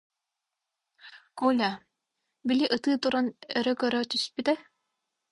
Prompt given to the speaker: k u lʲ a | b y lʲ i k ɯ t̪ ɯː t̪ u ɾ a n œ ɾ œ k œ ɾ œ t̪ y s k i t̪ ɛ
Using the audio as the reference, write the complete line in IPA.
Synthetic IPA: k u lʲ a | b i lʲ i ʔ ɯ t̪ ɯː t̪ u ɾ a n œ ɾ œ k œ ɾ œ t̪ y s p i t̪ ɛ